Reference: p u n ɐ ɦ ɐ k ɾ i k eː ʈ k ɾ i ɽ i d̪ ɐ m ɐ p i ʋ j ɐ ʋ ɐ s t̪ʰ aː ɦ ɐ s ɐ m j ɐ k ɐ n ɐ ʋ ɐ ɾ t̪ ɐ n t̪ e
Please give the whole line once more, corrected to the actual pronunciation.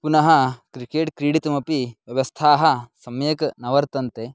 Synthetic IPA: p u n ɐ ɦ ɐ k ɾ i k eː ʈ k ɾ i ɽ i t̪ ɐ m ɐ p i ʋ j ɐ ʋ ɐ s t̪ʰ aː ɦ ɐ s ɐ m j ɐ k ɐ n ɐ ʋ ɐ ɾ t̪ ɐ n t̪ e